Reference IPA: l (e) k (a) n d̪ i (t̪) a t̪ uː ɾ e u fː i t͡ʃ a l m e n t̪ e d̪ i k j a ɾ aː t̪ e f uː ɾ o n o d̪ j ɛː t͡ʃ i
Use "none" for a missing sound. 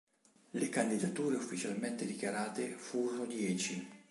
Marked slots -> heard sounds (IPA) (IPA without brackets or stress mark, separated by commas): e, a, d̪